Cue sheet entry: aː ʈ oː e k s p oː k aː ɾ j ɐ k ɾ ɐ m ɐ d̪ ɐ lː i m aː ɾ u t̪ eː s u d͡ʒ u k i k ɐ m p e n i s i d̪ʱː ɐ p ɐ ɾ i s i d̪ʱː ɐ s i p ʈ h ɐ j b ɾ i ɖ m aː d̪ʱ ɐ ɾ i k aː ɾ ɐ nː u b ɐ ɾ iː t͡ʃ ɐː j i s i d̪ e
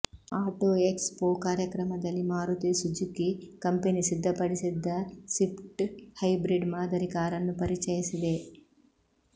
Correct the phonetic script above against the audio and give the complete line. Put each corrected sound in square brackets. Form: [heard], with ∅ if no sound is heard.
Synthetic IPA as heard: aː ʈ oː e k s p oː k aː ɾ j ɐ k ɾ ɐ m ɐ d̪ ɐ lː i m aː ɾ u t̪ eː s u d͡ʒ u k i k ɐ m p e n i s i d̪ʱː ɐ p ɐ [ɽ] i s i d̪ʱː ɐ s i p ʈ h ɐ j b ɾ i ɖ m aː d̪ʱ ɐ ɾ i k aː ɾ ɐ nː u [p] ɐ ɾ [i] t͡ʃ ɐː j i s i d̪ e

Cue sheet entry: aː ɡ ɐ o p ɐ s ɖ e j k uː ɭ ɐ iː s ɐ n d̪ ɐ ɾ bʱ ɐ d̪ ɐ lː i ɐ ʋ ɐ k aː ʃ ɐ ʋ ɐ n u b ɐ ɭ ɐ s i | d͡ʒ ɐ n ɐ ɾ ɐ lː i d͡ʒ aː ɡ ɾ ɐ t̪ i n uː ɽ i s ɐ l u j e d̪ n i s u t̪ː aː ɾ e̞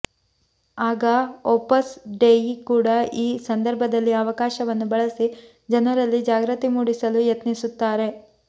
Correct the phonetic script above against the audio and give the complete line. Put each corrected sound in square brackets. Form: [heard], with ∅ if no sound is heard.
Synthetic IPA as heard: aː ɡ ɐ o p ɐ s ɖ e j k uː [ɽ] ɐ iː s ɐ n d̪ ɐ ɾ bʱ ɐ d̪ ɐ lː i ɐ ʋ ɐ k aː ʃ ɐ ʋ ɐ [nː] u b ɐ ɭ ɐ s i | d͡ʒ ɐ n ɐ ɾ ɐ lː i d͡ʒ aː ɡ ɾ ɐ t̪ i [m] uː ɽ i s ɐ l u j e [t̪] n i s u t̪ː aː ɾ e̞

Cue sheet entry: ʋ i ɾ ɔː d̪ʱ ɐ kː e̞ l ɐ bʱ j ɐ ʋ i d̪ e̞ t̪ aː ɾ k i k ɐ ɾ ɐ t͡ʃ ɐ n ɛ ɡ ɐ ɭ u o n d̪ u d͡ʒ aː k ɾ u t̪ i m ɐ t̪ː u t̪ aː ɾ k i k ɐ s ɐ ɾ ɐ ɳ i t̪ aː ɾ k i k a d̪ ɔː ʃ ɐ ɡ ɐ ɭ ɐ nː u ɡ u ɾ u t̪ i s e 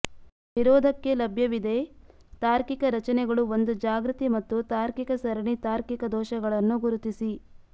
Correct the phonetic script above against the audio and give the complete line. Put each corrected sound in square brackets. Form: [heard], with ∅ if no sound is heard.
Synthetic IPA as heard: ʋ i ɾ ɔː d̪ʱ ɐ kː e̞ l ɐ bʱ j ɐ ʋ i d̪ e̞ t̪ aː ɾ k i k ɐ ɾ ɐ t͡ʃ ɐ n ɛ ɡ ɐ ɭ u o n d̪ u d͡ʒ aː [ɡ] ɾ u t̪ i m ɐ t̪ː u t̪ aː ɾ k i k ɐ s ɐ ɾ ɐ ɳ i t̪ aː ɾ k i k [ɐ] d̪ ɔː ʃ ɐ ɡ ɐ ɭ ɐ nː u ɡ u ɾ u t̪ i s [i]

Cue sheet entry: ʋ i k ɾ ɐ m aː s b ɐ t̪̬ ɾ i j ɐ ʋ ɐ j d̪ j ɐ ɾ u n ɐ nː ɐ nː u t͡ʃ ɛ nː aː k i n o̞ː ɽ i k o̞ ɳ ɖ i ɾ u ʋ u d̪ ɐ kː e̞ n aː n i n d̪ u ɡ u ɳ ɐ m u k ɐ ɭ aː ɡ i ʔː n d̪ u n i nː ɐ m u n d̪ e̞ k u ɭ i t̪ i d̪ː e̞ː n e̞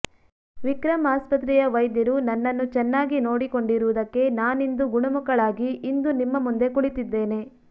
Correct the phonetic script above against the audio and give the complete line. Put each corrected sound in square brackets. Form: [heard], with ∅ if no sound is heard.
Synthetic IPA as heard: ʋ i k ɾ ɐ m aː s [p] ɐ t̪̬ ɾ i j ɐ ʋ ɐ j d̪ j ɐ ɾ u n ɐ nː ɐ nː u t͡ʃ ɛ nː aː [ɡ] i n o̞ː ɽ i k o̞ ɳ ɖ i ɾ u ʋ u d̪ ɐ kː e̞ n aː n i n d̪ u ɡ u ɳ ɐ m u k ɐ ɭ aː ɡ i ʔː n d̪ u n i [mː] ɐ m u n d̪ e̞ k u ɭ i t̪ i d̪ː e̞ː n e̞

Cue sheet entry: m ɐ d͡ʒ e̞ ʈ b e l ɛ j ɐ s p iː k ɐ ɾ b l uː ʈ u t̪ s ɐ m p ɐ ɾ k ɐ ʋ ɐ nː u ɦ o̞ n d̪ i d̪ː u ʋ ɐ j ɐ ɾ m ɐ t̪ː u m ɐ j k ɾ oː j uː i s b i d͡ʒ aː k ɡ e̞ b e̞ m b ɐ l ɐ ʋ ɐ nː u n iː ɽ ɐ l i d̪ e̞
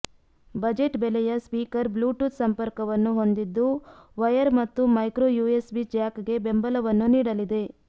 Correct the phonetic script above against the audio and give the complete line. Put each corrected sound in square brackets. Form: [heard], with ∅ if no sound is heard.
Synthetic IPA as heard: [b] ɐ d͡ʒ e̞ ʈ b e l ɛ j ɐ s p iː k ɐ ɾ b l uː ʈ u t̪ s ɐ m p ɐ ɾ k ɐ ʋ ɐ nː u ɦ o̞ n d̪ i d̪ː u ʋ ɐ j ɐ ɾ m ɐ t̪ː u m ɐ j k ɾ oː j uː [e] s b i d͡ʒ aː k ɡ e̞ b e̞ m b ɐ l ɐ ʋ ɐ nː u n iː ɽ ɐ l i d̪ e̞

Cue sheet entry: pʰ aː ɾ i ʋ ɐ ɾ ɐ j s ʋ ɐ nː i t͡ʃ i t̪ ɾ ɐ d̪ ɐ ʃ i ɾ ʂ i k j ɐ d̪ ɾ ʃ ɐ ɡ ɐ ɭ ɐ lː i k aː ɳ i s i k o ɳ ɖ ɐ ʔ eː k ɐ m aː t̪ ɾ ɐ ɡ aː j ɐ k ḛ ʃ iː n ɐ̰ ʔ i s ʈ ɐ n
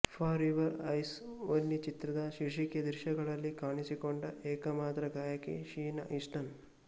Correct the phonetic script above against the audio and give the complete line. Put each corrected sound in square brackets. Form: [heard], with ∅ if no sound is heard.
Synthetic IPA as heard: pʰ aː ɾ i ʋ ɐ ɾ ɐ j s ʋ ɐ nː i t͡ʃ i t̪ ɾ ɐ d̪ ɐ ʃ i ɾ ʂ i k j ɐ d̪ ɾ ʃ ɐ ɡ ɐ ɭ ɐ lː i k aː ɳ i s i k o ɳ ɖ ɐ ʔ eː k ɐ m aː t̪ ɾ ɐ ɡ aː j ɐ k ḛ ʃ iː n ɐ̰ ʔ i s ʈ ɐ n

